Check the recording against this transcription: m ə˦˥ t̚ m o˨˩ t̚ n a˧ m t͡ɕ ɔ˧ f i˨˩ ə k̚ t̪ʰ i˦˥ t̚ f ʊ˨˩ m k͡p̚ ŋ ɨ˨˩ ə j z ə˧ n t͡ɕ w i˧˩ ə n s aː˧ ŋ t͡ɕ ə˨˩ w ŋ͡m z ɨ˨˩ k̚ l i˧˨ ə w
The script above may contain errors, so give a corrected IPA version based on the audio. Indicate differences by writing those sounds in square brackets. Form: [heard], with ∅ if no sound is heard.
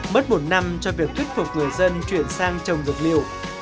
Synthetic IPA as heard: m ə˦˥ t̚ m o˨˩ t̚ n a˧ m t͡ɕ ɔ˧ [v] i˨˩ ə k̚ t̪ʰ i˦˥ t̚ f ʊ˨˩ [∅] k͡p̚ ŋ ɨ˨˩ ə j z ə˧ n t͡ɕ w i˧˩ ə n s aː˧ ŋ t͡ɕ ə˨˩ w ŋ͡m z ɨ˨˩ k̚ l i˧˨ ə w